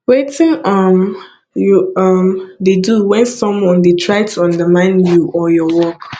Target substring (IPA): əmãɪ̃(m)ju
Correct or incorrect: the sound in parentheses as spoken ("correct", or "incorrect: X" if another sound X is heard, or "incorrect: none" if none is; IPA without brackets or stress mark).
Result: incorrect: n